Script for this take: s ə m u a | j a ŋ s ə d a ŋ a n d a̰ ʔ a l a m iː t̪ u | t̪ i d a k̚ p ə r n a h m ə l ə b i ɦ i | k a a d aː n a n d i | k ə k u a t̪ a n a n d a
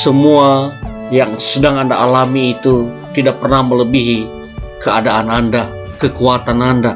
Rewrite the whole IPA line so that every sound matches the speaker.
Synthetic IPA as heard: s ə m u a | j a ŋ s ə d a ŋ a n d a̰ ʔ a l a m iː t̪ u | t̪ i d a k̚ p ə r n a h m ə l ə b i ɦ i | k ə a d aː n a n d a | k ə k u a t̪ a n a n d a

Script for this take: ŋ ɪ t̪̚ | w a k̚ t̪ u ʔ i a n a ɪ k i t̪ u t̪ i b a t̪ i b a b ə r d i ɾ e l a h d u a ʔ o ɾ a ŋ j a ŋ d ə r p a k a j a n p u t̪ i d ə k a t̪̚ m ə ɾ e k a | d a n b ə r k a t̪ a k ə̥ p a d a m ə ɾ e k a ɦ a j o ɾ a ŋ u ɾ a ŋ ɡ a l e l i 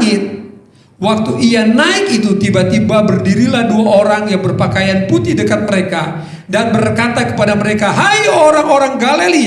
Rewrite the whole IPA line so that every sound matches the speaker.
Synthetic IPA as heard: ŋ ɪ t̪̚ | w a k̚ t̪ u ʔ i a n a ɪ k i t̪ u t̪ i b a t̪ i b a b ə r d i ɾ i l a h d u a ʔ o ɾ a ŋ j a ŋ b ə r p a k a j a n p u t̪ i d ə k a t̪̚ m ə ɾ e k a | d a n b ə r k a t̪ a k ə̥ p a d a m ə ɾ e k a ɦ a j o ɾ a ŋ o ɾ a ŋ ɡ a l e l i

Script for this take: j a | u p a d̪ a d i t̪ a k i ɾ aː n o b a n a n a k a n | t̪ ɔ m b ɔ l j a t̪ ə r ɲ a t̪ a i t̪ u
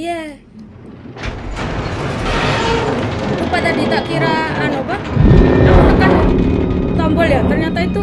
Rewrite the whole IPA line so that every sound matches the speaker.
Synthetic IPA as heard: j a | u p a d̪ a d i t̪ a k i ɾ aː n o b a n a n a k a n | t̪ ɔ m b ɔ l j a t̪ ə r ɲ a t̪ a i t̪ u

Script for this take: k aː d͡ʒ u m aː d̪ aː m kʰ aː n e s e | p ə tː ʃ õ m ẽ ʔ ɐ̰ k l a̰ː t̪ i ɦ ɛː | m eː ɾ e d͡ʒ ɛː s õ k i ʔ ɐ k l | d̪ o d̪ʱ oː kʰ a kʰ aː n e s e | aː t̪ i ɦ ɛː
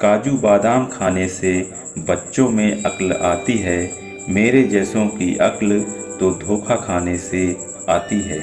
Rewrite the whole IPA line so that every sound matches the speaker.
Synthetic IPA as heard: k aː d͡ʒ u b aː d̪ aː m kʰ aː n e s e | b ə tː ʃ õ m ẽ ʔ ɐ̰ k l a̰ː t̪ i ɦ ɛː | m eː ɾ e d͡ʒ ɛː s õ k i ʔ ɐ k l | t̪ o d̪ʱ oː kʰ a kʰ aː n e s e | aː t̪ i ɦ ɛː

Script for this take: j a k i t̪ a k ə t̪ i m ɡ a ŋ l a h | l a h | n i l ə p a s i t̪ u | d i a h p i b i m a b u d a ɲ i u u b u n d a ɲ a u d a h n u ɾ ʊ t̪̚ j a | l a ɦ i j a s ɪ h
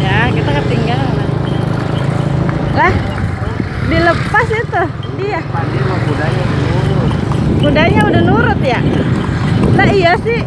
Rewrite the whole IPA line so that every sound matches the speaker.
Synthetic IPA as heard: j a k i t̪ a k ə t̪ i ŋ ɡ a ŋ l a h | l a h | d i l ə p a s i t̪ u | d i a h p a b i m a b u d a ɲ a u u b u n d a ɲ a u d a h n u ɾ ʊ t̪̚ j a | l a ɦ i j a s ɪ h

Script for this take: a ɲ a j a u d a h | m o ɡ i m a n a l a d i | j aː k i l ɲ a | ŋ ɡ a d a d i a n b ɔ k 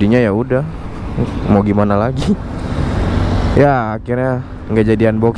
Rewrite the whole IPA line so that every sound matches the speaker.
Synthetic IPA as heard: i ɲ a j a u d a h | m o ɡ i m a n a l a ɡ i | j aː k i r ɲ a | ŋ ɡ a d͡ʒ a d i a n b ɔ k

